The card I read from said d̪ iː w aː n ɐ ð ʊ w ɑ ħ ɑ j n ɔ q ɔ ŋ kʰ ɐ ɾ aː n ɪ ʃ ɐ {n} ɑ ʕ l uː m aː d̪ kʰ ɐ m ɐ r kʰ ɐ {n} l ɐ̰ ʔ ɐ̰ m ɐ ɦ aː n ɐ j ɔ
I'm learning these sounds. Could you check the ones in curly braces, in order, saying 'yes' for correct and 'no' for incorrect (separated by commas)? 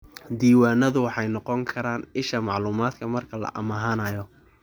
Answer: no, no